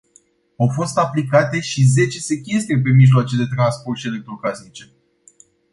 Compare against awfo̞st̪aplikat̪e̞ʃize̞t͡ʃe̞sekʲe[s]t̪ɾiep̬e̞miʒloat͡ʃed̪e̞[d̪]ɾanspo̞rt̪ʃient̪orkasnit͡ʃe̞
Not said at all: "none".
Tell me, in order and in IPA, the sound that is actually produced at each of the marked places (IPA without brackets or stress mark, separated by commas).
s, t̪